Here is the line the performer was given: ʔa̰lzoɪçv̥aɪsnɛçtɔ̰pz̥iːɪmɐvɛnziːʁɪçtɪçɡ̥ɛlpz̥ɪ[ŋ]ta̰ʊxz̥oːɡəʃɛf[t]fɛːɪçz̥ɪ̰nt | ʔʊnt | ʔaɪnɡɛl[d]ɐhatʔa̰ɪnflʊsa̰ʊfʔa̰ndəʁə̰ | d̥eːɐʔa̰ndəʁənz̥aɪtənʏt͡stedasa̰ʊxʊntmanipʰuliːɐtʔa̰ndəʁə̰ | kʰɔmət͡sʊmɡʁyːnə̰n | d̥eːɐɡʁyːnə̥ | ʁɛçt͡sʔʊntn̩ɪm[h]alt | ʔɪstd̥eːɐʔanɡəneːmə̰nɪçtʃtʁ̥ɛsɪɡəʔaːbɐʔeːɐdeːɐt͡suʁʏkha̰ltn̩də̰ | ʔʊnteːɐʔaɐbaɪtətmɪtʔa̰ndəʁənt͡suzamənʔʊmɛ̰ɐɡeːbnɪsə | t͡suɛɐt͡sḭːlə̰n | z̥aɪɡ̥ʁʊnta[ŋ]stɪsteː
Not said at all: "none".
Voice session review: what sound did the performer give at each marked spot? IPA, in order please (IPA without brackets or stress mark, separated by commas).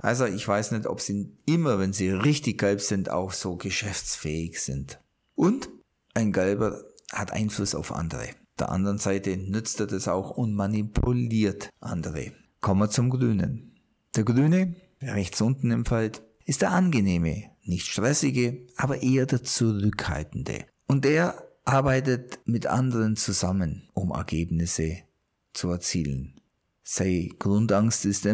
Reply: n, t͡s, b, f, ŋ